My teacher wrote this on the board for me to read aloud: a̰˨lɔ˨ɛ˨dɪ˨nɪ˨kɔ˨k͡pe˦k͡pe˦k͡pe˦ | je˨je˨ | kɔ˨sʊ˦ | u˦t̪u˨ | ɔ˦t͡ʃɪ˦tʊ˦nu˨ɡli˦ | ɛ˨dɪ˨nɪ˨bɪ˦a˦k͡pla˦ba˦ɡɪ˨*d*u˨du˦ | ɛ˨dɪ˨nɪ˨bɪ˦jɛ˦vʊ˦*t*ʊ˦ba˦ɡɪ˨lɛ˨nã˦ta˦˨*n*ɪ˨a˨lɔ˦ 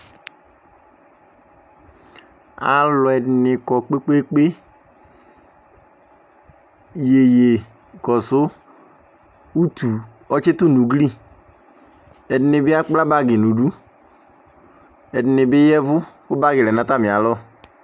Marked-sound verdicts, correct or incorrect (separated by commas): incorrect, incorrect, incorrect